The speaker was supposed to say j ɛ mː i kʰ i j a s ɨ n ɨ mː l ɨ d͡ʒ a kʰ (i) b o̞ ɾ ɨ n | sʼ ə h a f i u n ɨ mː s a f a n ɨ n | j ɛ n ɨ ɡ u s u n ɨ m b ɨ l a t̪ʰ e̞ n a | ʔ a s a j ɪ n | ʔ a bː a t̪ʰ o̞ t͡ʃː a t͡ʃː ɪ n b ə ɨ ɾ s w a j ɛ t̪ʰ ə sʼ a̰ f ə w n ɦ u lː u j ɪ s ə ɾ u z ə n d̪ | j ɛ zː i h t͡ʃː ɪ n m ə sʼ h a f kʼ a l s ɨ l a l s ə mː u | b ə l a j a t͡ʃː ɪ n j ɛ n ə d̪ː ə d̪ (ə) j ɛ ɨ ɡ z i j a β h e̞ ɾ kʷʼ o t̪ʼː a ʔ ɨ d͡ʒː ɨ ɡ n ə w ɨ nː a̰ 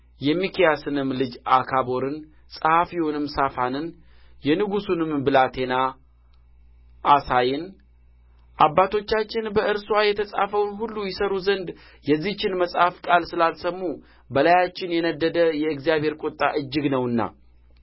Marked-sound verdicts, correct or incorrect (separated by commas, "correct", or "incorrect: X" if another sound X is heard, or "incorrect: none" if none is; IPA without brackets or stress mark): incorrect: a, correct